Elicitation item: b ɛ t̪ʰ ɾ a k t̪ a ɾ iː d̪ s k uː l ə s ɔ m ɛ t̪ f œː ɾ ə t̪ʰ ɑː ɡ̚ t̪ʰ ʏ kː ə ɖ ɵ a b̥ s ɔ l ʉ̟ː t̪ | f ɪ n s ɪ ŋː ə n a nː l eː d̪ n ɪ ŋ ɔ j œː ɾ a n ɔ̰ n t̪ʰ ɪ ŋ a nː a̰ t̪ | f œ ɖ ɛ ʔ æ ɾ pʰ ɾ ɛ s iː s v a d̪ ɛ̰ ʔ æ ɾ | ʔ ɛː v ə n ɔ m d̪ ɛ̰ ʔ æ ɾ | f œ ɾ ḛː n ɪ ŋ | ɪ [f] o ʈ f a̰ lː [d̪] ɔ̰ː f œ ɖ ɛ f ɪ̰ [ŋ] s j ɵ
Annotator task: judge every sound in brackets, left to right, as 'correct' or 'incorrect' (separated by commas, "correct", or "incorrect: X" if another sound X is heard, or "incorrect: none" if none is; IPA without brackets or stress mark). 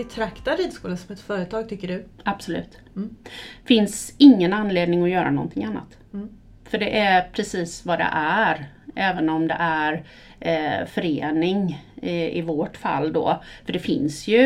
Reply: incorrect: v, correct, incorrect: n